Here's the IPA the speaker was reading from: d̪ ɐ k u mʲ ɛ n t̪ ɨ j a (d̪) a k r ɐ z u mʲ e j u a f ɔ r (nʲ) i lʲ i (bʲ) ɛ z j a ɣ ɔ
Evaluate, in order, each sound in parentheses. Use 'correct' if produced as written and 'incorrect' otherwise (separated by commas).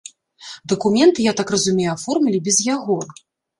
incorrect, incorrect, correct